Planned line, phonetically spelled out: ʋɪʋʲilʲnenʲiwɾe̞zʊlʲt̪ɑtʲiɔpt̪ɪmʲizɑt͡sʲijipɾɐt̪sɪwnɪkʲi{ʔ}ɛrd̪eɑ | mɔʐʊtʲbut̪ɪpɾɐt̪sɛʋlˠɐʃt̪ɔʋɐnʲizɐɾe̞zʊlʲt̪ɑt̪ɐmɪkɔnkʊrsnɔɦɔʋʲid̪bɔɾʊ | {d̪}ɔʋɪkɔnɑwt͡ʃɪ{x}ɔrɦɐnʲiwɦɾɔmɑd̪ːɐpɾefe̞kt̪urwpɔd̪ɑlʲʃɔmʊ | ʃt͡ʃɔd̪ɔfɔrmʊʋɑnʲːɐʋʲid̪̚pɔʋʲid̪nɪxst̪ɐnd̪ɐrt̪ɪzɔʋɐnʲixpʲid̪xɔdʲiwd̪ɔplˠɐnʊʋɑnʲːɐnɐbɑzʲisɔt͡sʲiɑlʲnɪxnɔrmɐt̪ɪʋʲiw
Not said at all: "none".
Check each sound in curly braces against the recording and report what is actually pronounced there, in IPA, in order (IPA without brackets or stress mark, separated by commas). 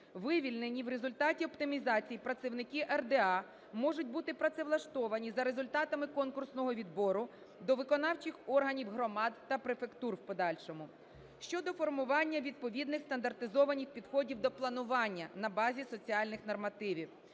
ʔ, d̪, x